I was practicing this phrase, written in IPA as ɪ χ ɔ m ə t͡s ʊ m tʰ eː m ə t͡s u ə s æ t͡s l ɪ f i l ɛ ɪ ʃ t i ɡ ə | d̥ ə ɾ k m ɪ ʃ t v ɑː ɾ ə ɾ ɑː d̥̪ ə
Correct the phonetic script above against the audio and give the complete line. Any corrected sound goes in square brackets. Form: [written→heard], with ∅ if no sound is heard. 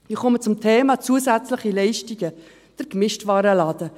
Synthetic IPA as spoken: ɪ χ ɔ m ə t͡s ʊ m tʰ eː m [ə→ɑ] t͡s u ə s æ t͡s l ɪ [f→χ] i l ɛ ɪ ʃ t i ɡ ə | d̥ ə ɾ k m ɪ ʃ t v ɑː ɾ ə [ɾ→l] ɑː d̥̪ ə